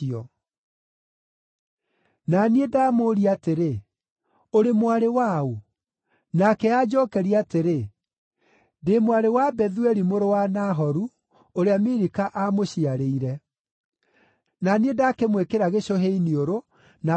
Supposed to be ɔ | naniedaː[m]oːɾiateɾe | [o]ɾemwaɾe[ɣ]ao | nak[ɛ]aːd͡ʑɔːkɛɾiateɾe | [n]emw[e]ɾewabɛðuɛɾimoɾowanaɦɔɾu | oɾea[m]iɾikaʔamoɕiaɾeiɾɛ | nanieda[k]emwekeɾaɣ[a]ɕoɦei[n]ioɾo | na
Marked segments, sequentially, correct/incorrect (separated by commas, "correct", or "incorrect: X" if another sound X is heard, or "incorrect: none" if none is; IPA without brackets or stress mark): correct, correct, incorrect: w, correct, incorrect: d, incorrect: a, correct, correct, incorrect: e, correct